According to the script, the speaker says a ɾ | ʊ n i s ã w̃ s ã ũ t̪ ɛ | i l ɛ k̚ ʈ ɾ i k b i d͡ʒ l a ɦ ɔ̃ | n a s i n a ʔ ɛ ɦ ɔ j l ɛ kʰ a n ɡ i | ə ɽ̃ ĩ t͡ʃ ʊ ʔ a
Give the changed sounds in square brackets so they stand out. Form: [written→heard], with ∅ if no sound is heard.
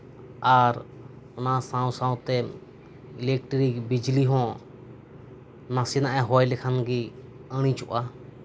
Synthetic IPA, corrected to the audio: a ɾ | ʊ n [i→a] s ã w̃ s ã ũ t̪ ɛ | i l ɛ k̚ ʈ ɾ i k b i d͡ʒ l [a→i] ɦ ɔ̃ | n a s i n a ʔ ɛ ɦ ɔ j l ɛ kʰ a n ɡ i | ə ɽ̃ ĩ t͡ʃ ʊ ʔ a